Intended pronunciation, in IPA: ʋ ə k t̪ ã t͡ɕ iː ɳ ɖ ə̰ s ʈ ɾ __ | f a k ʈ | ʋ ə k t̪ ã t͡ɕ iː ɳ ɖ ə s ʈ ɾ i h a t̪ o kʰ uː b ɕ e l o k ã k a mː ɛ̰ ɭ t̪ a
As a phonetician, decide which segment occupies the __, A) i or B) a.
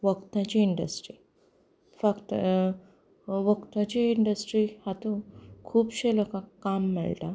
A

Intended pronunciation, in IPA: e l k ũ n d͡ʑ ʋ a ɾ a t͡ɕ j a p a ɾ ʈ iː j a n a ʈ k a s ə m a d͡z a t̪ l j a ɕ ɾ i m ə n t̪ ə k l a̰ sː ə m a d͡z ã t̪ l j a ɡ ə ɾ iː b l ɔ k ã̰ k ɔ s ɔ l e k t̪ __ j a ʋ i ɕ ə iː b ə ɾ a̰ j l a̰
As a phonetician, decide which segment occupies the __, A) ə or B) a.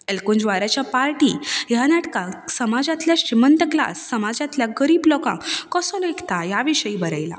B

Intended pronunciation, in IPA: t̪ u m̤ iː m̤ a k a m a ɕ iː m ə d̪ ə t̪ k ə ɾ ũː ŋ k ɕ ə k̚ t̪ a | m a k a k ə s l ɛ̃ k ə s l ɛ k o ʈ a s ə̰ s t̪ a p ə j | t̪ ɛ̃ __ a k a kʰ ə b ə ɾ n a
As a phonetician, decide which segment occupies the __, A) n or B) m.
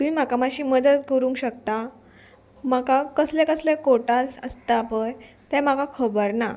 B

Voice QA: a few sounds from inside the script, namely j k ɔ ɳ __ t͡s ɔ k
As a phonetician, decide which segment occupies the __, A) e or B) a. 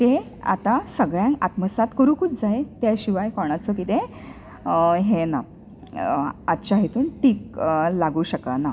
B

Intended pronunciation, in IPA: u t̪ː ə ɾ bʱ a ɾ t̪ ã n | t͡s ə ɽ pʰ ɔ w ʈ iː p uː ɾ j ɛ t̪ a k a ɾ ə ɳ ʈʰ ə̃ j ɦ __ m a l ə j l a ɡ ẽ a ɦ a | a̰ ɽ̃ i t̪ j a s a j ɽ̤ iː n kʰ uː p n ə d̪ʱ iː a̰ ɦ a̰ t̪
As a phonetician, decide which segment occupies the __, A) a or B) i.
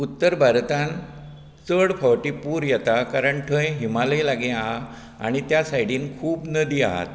B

